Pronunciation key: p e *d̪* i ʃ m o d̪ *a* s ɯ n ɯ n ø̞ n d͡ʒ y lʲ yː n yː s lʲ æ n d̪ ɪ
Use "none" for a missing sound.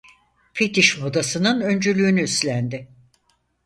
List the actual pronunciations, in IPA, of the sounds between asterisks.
t̪, a

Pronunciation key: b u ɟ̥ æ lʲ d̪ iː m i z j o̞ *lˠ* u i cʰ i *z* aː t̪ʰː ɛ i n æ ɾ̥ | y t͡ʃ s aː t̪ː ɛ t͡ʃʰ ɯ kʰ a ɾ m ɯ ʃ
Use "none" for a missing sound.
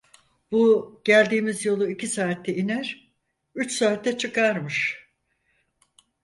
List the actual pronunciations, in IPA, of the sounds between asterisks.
lˠ, s

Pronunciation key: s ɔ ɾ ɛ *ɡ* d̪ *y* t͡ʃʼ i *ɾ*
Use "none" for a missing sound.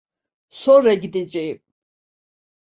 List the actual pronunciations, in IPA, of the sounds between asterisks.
ɡ, i, none

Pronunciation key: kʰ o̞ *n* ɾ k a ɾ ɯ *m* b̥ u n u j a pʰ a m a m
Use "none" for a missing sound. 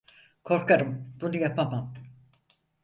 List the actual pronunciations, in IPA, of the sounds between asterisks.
none, m

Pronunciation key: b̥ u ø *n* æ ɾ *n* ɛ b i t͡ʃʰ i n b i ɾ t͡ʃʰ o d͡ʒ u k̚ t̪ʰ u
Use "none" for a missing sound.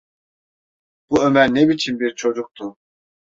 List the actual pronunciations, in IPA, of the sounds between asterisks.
m, n

